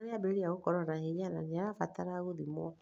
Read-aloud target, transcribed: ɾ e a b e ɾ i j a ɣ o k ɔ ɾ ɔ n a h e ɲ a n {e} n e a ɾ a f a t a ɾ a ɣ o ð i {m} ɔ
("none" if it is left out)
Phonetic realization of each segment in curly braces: a, m

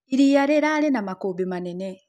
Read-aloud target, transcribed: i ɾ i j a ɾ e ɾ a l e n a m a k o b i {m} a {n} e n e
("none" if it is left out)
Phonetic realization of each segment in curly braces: m, n

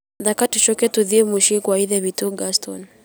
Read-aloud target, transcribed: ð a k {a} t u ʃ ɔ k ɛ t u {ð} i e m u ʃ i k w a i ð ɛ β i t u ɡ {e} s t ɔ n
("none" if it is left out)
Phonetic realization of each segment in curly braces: a, ð, a

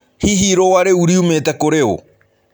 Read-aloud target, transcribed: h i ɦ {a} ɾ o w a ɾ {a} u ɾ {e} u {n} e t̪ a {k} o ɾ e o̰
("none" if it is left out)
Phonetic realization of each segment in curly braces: i, e, i, m, k

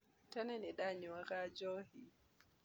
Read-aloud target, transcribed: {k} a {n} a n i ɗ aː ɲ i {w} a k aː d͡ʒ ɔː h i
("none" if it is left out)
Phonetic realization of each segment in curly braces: t, n, w

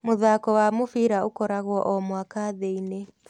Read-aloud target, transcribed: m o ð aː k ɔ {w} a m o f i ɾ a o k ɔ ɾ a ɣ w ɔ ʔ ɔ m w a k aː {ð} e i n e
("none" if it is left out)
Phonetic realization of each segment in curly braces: w, ð

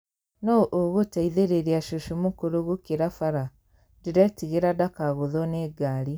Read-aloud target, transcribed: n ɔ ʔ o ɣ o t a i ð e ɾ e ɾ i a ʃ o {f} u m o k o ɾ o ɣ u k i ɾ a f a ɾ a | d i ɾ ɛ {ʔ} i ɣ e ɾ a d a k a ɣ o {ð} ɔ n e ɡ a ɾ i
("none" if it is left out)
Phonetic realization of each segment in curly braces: ʃ, t, ð

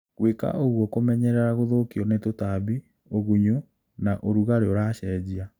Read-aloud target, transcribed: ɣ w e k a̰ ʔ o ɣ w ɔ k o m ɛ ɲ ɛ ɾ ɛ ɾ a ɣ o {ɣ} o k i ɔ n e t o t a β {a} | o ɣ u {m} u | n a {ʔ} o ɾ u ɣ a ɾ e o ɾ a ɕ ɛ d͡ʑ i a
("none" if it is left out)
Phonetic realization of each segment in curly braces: ð, i, ɲ, ʔ

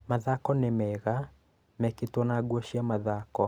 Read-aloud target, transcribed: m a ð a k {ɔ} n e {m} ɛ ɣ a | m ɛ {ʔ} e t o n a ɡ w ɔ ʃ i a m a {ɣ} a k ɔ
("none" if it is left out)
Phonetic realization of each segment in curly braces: ɔ, m, k, ð

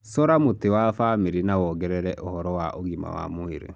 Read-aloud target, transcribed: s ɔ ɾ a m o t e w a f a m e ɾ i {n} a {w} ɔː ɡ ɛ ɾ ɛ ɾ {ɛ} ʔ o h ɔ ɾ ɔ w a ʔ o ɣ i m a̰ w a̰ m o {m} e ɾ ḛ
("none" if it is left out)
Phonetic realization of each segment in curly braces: n, w, ɛ, none

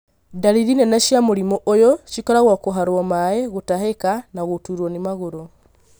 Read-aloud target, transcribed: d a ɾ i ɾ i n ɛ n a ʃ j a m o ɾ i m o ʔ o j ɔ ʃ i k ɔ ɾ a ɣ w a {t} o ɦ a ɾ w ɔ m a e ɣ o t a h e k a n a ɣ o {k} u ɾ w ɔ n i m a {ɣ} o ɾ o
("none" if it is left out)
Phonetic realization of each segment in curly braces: k, t, ɣ

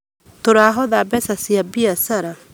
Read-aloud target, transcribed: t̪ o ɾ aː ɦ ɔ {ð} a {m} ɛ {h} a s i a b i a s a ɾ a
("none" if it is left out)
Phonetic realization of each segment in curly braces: ð, b, s

